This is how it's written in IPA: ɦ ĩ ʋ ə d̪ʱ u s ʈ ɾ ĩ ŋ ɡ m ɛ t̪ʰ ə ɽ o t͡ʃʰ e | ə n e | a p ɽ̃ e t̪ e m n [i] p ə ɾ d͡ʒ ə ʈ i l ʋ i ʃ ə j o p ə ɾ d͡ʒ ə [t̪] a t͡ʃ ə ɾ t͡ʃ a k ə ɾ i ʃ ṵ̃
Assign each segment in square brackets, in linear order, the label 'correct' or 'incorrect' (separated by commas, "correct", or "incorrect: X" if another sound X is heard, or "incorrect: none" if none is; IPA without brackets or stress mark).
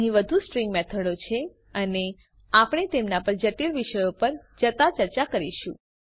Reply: incorrect: a, correct